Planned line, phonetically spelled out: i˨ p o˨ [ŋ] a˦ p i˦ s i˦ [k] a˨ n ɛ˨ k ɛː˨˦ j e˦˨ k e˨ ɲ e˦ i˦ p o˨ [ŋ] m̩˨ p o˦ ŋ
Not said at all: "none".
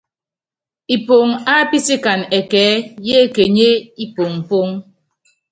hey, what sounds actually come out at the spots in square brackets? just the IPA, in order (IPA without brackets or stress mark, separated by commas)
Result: ŋ, k, ŋ